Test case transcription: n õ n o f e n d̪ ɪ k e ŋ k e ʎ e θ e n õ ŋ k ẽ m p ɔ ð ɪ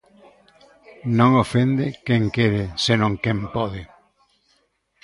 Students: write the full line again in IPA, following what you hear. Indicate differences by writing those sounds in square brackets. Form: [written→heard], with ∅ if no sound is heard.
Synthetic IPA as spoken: n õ [n→ŋ] o f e n d̪ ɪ k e ŋ k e [ʎ→ɾ] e [θ→s] e n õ ŋ k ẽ m p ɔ ð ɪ